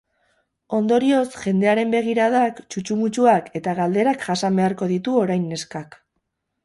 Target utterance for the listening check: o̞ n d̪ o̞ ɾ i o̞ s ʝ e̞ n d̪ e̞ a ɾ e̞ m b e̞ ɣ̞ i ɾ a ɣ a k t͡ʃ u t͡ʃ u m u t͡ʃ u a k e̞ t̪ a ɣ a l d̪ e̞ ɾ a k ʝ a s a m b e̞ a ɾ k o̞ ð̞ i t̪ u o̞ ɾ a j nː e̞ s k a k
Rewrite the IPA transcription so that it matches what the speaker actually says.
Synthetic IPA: o̞ n d̪ o̞ ɾ i o̞ s ʝ e̞ n d̪ e̞ a ɾ e̞ m b e̞ ɣ̞ i ɾ a ð a k t͡ʃ u t͡ʃ u m u t͡ʃ u a k e̞ t̪ a ɣ a l d̪ e̞ ɾ a k ʝ a s a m b e̞ a ɾ k o̞ ð̞ i t̪ u o̞ ɾ a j nː e̞ s k a k